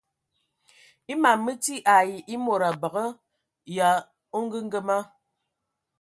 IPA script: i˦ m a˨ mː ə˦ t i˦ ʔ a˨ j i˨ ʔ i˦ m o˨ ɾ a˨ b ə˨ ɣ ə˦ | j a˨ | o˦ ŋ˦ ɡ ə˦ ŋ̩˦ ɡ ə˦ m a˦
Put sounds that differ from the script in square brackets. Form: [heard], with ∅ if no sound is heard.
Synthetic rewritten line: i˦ m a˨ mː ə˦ t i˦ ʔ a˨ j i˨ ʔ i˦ m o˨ ɾ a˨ b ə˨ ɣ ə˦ | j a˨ | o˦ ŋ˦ ɡ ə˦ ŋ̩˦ ɡ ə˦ m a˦